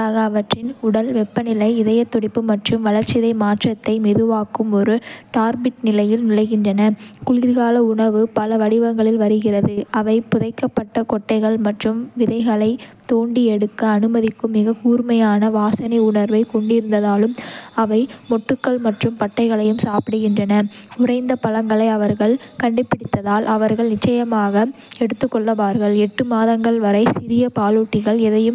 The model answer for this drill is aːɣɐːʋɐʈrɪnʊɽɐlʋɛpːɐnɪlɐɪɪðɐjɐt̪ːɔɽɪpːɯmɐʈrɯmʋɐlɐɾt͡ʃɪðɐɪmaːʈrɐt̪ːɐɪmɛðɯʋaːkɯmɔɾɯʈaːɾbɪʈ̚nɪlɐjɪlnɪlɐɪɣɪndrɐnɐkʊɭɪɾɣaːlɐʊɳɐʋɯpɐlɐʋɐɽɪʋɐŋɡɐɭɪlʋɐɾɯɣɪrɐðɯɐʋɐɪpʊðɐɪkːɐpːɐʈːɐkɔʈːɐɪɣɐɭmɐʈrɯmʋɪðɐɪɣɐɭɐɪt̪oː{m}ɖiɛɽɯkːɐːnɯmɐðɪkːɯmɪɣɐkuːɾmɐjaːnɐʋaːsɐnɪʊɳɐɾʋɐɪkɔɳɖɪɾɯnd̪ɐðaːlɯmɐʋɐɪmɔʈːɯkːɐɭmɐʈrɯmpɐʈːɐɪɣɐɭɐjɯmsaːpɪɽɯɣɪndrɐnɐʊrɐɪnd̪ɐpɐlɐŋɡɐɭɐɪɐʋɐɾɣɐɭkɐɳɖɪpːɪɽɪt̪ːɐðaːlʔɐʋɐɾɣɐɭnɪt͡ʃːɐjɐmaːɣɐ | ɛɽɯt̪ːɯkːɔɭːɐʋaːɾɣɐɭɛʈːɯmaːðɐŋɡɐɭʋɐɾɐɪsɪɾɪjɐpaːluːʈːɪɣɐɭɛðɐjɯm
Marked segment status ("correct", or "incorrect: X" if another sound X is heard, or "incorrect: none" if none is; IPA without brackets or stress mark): incorrect: ɳ